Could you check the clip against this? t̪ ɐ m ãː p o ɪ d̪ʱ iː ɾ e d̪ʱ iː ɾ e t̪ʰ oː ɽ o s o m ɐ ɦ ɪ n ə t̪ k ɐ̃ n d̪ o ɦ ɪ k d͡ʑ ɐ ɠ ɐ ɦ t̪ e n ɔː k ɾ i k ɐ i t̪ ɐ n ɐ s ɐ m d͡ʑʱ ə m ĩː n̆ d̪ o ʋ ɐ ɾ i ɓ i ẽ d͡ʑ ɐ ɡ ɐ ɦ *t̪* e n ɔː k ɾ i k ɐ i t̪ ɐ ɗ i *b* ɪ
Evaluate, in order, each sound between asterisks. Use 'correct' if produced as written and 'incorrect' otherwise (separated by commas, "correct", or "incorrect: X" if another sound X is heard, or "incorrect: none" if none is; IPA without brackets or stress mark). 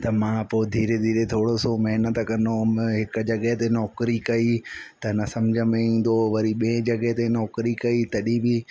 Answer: correct, correct